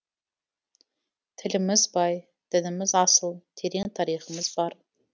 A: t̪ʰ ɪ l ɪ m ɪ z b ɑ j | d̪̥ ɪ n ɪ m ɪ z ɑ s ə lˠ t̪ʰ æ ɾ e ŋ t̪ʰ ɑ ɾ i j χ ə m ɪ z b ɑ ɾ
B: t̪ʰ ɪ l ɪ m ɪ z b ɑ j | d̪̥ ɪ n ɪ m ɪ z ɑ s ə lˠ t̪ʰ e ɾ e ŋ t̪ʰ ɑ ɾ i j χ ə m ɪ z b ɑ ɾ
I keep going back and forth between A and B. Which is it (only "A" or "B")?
B